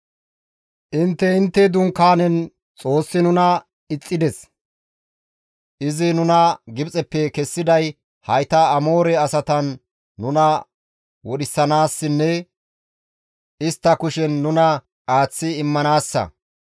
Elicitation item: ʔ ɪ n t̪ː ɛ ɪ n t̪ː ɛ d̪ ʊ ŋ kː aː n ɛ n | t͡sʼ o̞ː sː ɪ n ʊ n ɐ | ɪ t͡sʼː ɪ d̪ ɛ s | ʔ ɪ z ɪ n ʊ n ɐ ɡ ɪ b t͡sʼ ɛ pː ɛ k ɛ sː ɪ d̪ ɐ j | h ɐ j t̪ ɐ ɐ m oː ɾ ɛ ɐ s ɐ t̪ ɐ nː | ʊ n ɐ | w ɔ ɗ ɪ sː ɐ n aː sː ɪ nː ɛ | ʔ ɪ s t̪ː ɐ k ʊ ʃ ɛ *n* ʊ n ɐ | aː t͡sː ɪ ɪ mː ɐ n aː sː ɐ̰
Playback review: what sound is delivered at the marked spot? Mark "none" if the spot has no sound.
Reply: nː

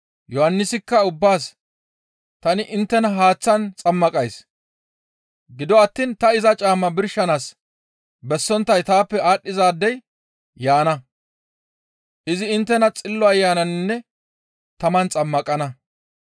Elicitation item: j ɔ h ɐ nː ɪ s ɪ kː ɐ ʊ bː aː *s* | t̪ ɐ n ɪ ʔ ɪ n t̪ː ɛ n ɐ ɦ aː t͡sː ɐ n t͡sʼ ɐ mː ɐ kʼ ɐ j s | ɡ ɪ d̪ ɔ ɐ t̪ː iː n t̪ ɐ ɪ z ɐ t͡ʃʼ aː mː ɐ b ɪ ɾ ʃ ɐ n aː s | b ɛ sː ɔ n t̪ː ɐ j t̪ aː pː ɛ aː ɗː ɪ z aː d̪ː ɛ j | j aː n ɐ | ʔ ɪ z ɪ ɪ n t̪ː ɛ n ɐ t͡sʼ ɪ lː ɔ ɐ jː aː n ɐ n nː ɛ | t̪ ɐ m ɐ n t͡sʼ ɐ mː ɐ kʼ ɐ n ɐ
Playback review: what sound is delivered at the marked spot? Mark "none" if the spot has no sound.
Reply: s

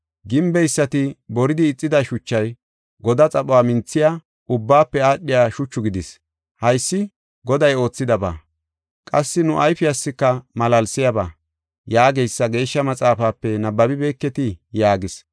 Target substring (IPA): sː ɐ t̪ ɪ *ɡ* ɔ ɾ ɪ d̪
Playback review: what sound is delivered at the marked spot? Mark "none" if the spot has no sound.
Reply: b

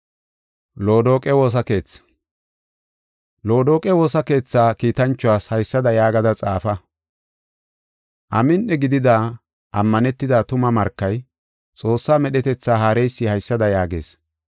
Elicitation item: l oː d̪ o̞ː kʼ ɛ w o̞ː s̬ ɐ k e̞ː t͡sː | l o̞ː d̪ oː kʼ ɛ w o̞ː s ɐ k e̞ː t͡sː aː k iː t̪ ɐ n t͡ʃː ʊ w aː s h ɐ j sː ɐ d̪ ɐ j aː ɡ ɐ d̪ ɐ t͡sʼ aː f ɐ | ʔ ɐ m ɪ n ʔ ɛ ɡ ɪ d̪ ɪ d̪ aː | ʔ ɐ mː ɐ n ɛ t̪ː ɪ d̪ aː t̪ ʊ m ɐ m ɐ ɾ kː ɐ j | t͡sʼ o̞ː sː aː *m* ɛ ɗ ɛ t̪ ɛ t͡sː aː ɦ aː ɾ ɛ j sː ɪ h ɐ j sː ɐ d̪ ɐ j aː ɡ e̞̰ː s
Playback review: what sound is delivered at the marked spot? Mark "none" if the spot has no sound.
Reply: m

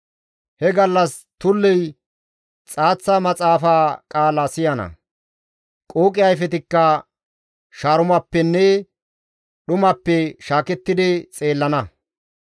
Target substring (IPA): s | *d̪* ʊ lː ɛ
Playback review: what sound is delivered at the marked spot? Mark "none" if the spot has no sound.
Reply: t̪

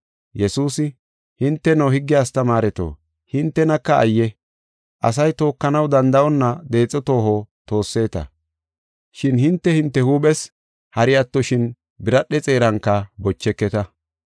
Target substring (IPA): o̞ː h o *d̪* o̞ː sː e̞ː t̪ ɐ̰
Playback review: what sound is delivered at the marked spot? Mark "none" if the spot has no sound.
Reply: t̪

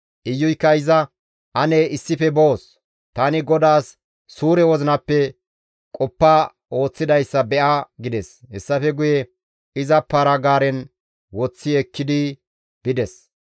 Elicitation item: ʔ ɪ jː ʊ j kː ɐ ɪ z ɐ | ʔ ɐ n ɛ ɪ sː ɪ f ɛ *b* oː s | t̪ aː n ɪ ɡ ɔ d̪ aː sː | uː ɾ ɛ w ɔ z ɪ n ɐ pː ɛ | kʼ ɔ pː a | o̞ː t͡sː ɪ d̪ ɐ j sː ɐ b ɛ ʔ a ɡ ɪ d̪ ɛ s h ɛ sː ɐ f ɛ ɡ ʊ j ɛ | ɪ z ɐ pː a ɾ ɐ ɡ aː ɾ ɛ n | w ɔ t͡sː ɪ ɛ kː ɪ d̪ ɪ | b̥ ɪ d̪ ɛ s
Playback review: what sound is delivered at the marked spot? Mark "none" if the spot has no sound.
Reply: b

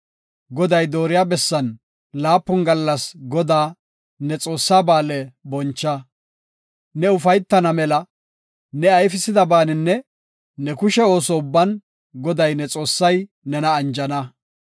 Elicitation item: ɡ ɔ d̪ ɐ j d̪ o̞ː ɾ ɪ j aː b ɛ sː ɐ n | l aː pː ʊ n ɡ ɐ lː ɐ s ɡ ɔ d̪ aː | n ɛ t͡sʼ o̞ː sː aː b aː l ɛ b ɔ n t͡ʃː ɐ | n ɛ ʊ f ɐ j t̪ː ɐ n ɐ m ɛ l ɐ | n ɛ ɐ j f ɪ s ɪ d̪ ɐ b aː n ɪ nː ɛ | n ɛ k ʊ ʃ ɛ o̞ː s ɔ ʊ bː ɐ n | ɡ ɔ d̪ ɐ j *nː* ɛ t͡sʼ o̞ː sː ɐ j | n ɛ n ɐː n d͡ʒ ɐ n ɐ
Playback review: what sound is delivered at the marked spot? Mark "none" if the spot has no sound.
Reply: n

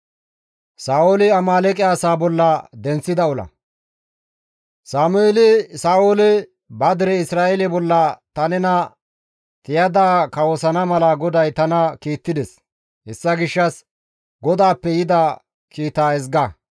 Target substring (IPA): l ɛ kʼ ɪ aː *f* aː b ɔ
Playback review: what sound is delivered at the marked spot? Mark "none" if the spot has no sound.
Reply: s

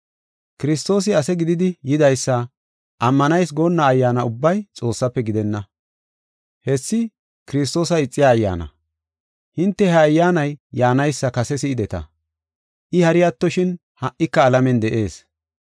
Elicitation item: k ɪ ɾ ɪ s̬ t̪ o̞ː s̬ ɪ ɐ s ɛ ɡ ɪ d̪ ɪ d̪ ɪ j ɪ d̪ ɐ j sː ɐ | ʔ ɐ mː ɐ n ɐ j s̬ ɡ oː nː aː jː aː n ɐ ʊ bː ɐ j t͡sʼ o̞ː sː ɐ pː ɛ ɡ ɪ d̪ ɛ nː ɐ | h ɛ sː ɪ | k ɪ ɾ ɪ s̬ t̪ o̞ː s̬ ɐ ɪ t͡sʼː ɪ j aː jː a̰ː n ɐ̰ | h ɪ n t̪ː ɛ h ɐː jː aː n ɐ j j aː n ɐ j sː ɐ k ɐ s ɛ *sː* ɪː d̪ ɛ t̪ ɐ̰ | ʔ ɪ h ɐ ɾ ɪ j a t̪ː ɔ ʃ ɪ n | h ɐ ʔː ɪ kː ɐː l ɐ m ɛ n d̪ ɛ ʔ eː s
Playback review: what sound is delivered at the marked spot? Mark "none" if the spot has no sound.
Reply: s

